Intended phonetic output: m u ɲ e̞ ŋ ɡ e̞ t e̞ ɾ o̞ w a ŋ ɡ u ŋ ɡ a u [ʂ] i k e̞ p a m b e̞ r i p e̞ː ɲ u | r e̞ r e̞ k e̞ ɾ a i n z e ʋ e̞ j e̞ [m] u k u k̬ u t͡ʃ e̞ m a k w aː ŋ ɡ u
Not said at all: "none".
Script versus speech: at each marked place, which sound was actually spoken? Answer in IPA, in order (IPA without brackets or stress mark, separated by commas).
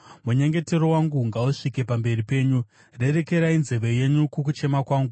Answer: ʂ, ɲ